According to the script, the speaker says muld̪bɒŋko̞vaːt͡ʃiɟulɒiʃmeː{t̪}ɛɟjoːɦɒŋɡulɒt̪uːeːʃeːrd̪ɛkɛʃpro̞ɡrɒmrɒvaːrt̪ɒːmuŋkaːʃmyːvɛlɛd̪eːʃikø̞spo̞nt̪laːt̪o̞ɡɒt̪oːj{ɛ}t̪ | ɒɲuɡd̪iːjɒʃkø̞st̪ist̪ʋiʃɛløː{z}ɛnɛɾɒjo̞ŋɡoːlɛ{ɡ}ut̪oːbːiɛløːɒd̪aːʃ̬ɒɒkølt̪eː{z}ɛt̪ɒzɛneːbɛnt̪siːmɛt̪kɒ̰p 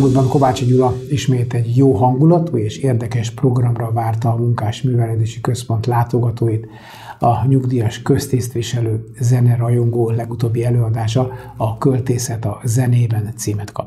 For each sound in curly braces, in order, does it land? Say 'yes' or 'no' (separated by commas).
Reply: yes, no, yes, yes, no